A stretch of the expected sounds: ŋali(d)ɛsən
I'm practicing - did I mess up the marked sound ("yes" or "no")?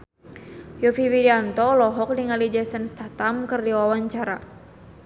yes